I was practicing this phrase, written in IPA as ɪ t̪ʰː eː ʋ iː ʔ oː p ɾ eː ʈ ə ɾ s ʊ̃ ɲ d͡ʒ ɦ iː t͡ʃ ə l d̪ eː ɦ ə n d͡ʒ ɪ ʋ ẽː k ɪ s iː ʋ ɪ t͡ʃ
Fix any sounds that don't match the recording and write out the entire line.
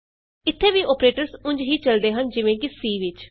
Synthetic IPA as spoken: ɪ t̪ʰː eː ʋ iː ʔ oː p ɾ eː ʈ ə ɾ s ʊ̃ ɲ d͡ʒ ɦ iː t͡ʃ ə l d̪ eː ɦ ə n d͡ʒ ɪ ʋ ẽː k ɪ s iː ʋ ɪ t͡ʃ

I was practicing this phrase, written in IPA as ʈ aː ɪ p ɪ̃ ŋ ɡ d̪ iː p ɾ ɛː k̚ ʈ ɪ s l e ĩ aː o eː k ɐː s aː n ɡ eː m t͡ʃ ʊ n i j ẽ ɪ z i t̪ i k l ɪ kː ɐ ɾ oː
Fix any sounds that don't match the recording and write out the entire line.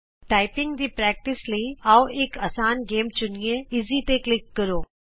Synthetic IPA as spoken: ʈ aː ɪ p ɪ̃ ŋ ɡ d̪ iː p ɾ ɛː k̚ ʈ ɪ s l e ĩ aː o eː k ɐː s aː n ɡ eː m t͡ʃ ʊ n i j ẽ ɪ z i t̪ e k l ɪ kː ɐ ɾ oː

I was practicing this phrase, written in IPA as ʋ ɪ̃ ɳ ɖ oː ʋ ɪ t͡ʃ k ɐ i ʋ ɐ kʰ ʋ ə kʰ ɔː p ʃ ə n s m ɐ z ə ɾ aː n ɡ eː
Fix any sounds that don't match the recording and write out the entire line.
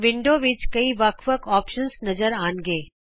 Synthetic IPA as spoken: ʋ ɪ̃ ɳ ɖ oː ʋ ɪ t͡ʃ k ɐ i ʋ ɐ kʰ ʋ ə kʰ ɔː p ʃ ə n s n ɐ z ə ɾ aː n ɡ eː

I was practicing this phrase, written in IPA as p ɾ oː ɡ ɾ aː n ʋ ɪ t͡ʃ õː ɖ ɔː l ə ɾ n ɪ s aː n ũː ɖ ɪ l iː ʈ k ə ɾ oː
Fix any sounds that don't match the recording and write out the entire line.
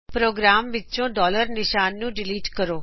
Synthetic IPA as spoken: p ɾ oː ɡ ɾ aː m ʋ ɪ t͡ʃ õː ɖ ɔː l ə ɾ n ɪ ʃ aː nː ũː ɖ ɪ l iː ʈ k ə ɾ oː

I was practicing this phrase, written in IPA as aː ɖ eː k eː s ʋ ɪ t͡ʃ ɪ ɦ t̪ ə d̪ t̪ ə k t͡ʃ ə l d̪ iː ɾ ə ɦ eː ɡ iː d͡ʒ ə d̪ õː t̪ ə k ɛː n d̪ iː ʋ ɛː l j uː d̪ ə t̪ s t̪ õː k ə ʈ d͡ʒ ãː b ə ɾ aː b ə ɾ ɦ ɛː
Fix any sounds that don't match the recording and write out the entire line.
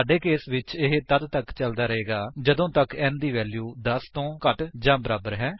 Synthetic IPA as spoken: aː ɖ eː k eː s ʋ ɪ t͡ʃ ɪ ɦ t̪ ə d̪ t̪ ə k t͡ʃ ə l d̪ aː ɾ ə ɦ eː ɡ aː d͡ʒ ə d̪ õː t̪ ə k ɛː n d̪ iː ʋ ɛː l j uː d̪ ə s t̪ õː k ə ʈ d͡ʒ ãː b ə ɾ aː b ə ɾ ɦ ɛː

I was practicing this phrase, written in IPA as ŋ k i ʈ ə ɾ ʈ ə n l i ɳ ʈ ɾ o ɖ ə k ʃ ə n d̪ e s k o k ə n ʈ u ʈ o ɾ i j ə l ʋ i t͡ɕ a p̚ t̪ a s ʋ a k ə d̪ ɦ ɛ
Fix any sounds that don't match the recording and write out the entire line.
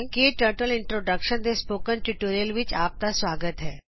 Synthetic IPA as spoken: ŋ k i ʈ ə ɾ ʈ ə l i ɳ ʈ ɾ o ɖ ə k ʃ ə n d̪ e s p o k ə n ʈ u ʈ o ɾ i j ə l ʋ i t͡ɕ a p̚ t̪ a s ʋ a ɡ ə t̪ ɦ ɛ

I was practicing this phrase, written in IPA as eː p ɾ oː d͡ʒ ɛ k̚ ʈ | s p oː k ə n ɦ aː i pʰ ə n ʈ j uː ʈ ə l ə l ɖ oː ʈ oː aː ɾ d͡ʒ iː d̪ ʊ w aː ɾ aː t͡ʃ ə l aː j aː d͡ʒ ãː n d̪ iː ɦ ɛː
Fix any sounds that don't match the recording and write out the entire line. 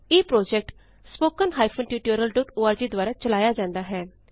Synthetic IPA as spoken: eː p ɾ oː d͡ʒ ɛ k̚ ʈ | s p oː k ə n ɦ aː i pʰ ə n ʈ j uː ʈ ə ɾ ə l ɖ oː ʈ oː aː ɾ d͡ʒ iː d̪ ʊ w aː ɾ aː t͡ʃ ə l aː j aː d͡ʒ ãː n d̪ aː ɦ ɛː

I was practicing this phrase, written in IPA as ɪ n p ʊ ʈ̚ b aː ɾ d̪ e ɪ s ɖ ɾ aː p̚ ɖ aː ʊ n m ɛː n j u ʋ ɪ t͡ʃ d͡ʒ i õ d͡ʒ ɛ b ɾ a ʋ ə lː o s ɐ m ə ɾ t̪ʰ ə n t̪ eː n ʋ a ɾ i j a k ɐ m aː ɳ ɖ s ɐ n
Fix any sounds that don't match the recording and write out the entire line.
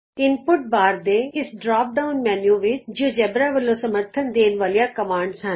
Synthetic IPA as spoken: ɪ n p ʊ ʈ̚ b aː ɾ d̪ e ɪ s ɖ ɾ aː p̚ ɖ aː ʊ n m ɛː n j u ʋ ɪ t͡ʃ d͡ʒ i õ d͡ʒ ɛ b ɾ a ʋ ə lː o s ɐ m ə ɾ t̪ʰ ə n d̪ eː n ʋ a l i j a k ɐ m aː ɳ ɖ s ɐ n

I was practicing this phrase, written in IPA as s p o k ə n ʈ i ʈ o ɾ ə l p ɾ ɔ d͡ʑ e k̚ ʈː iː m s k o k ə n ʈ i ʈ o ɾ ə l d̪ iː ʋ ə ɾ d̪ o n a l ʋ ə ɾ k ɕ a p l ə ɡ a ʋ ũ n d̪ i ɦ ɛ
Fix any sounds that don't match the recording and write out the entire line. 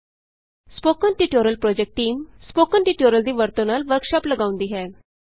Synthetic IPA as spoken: s p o k ə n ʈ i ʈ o ɾ ə l p ɾ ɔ d͡ʑ e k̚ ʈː iː m s p o k ə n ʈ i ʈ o ɾ ə l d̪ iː ʋ ə ɾ t̪ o n a l ʋ ə ɾ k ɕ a p l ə ɡ a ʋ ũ n d̪ i ɦ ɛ

